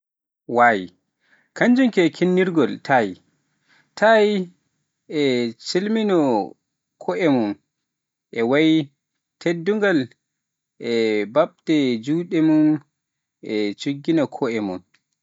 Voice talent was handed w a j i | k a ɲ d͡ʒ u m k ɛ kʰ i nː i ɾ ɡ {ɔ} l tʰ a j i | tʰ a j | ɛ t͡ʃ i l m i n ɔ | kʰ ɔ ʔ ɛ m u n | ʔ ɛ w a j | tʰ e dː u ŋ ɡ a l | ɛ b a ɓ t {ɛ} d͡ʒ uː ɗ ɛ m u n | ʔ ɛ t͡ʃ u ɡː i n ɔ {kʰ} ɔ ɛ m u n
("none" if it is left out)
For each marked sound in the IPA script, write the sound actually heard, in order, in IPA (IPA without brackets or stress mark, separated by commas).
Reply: ɔ, ɛ, kʰ